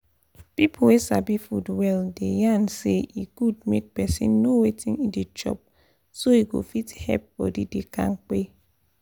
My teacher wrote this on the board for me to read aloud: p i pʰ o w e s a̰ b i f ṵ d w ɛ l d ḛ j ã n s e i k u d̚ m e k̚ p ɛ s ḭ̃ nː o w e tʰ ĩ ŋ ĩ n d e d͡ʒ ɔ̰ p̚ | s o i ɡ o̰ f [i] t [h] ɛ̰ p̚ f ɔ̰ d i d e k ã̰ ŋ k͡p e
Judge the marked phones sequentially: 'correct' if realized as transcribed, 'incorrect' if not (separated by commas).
correct, correct